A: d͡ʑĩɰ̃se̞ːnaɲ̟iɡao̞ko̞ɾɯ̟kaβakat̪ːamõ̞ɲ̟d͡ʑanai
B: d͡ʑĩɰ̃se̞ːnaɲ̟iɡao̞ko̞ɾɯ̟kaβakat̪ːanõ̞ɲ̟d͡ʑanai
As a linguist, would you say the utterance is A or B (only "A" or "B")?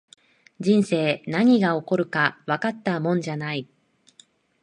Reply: A